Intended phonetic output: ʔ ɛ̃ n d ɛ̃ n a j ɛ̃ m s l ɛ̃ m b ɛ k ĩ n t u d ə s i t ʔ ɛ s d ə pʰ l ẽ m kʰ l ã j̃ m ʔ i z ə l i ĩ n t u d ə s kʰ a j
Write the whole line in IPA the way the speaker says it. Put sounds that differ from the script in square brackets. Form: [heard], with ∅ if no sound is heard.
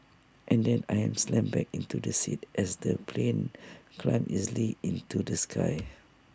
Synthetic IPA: ʔ ɛ̃ n d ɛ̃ n a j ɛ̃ m s l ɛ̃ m b ɛ k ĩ n t u d ə s i t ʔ ɛ s d ə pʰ l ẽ [n] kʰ l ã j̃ m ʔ i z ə l i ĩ n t u d ə s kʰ a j